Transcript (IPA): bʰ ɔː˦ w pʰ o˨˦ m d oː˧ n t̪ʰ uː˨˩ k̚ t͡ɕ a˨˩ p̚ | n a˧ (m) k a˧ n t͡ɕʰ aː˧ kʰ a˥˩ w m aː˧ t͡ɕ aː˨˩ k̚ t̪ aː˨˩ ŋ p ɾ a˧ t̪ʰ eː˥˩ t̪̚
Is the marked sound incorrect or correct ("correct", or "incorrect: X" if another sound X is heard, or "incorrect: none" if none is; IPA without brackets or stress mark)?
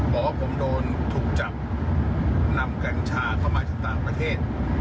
correct